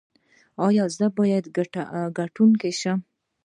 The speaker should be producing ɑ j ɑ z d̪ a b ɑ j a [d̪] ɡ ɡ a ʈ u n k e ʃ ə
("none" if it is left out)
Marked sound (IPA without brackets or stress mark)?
d̪